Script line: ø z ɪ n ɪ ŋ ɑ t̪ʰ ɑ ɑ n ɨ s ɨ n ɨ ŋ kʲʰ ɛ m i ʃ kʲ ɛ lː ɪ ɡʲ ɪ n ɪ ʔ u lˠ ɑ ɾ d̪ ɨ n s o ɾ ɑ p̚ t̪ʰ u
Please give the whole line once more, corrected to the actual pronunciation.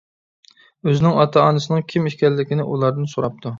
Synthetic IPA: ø z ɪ n ɪ ŋ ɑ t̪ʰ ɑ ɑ n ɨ s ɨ n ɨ ŋ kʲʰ i m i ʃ kʲ ɛ lː ɪ kʲ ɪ n ɪ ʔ u lˠ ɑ ɾ d̪ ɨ n s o ɾ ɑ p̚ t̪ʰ u

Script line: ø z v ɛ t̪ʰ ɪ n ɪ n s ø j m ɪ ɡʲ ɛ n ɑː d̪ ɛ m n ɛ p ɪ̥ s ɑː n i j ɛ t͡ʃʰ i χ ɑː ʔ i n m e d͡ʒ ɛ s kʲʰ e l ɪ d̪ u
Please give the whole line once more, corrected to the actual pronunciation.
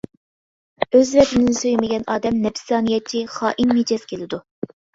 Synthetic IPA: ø z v ɛ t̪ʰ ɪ n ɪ n s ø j m ɪ ɡʲ ɛ n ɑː d̪ ɛ m n ɛ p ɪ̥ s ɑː n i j ɛ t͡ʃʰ i χ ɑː ʔ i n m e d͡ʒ ɛ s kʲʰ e l ɪ d̪ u

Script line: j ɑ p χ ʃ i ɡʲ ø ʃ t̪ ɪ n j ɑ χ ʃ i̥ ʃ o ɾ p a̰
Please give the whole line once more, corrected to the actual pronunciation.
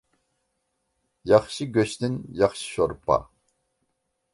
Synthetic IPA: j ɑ χ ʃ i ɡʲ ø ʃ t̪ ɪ n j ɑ χ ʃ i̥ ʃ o ɾ p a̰

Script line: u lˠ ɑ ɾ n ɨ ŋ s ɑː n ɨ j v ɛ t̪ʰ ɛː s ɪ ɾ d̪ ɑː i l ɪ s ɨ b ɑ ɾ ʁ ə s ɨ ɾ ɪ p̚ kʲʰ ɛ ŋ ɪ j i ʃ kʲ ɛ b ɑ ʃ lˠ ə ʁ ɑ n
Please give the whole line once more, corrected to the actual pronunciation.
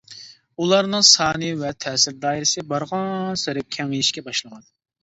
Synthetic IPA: u lˠ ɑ ɾ n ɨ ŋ s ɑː n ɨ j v ɛ t̪ʰ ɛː s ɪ ɾ d̪ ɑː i ɾ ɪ s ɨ b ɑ ɾ ʁ ɑ s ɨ ɾ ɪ p̚ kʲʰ ɛ ŋ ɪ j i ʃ kʲ ɛ b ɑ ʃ lˠ ə ʁ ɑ n

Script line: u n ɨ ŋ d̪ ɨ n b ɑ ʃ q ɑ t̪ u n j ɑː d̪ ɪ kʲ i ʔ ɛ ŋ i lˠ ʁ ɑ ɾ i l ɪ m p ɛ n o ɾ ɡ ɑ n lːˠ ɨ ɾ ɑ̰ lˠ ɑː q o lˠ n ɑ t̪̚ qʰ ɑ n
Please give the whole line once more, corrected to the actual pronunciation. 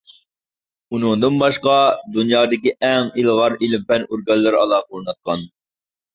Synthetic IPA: u n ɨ ŋ d̪ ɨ n b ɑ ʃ q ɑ d̪ u n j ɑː d̪ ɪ kʲ i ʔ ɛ ŋ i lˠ ʁ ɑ ɾ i l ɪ m p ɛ n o ɾ ɡ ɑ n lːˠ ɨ ɾ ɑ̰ lˠ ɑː q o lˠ n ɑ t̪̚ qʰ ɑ n

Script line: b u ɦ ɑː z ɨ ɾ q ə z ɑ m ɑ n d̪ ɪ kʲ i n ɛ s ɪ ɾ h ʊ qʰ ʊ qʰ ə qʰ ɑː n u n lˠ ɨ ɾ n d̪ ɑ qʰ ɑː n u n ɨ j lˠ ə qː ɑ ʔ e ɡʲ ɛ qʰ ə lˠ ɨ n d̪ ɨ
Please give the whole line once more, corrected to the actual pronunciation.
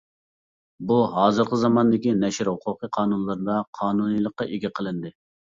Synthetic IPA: b u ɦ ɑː z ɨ ɾ q ə z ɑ m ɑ n d̪ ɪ kʲ i n ɛ ʃ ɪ ɾ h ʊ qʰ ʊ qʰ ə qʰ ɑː n u n lˠ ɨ ɾ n d̪ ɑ qʰ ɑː n u n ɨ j lˠ ə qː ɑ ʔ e ɡʲ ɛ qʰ ə lˠ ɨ n d̪ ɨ

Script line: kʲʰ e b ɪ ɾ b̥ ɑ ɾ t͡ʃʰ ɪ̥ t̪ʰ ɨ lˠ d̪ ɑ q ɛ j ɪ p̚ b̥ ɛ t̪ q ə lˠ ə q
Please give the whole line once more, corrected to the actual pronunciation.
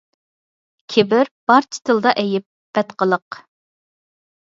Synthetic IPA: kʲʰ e b ɪ ɾ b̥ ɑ ɾ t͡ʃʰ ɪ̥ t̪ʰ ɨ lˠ d̪ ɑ ʔ ɛ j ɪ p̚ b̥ ɛ t̪ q ə lˠ ə q

